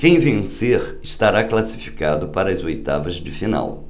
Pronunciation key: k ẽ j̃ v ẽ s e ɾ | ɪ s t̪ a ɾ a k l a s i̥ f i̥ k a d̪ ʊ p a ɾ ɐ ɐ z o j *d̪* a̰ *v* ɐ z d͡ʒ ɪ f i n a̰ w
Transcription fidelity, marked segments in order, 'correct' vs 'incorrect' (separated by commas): incorrect, correct